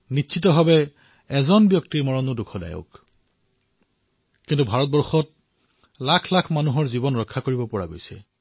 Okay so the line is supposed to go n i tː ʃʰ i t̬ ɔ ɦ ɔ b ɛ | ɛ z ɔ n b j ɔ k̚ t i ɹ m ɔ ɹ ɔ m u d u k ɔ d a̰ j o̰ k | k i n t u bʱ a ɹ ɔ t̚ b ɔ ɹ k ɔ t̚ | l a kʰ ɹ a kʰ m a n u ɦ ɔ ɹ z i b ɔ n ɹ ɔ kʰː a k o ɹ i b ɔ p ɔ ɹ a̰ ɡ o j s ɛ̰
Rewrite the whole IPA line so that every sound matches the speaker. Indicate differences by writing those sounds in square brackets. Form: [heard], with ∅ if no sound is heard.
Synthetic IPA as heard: n i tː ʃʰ i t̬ ɔ ɦ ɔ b ɛ | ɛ z ɔ n b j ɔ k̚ t i ɹ m ɔ ɹ ɔ [n] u d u [kʰ] ɔ d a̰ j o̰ k | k i n t u bʱ a ɹ ɔ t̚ b ɔ ɹ [x] ɔ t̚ | l a kʰ [l] a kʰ m a n u ɦ ɔ ɹ z i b ɔ n ɹ ɔ kʰː a k o ɹ i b ɔ p ɔ ɹ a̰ ɡ o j s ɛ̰